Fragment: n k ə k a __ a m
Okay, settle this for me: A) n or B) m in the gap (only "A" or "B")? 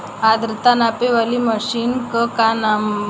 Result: A